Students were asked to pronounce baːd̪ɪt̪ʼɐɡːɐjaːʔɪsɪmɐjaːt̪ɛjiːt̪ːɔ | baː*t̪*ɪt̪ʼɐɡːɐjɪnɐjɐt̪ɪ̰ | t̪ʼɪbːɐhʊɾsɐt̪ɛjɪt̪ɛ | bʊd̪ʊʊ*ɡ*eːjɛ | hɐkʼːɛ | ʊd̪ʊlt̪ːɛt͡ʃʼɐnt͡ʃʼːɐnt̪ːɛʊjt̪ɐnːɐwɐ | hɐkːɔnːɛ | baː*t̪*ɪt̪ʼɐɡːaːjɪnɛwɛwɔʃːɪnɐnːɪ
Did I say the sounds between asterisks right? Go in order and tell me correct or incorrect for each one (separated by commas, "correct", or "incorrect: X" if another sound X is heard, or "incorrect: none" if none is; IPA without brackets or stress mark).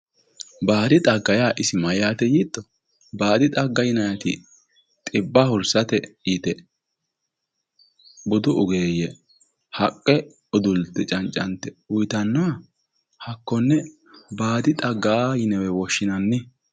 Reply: incorrect: d̪, correct, incorrect: d̪